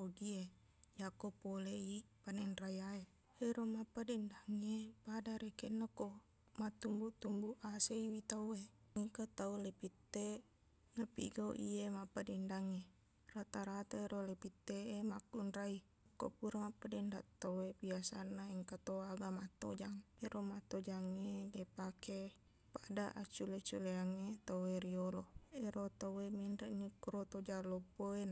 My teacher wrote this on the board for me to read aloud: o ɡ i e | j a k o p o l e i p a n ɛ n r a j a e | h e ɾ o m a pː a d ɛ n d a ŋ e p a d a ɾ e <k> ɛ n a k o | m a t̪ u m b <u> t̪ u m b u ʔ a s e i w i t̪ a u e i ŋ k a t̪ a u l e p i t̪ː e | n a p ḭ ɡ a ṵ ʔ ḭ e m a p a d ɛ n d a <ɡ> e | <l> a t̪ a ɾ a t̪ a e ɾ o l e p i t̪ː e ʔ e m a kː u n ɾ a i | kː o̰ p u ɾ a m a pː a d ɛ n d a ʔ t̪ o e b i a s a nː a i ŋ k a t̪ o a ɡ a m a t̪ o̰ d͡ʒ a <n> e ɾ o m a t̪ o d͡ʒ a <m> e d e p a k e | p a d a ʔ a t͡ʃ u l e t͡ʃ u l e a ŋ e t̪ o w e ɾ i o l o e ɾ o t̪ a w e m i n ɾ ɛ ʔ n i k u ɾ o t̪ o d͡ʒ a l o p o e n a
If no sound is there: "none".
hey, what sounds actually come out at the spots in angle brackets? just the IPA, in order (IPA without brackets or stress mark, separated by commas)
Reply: k, u, ŋ, r, ŋ, ŋ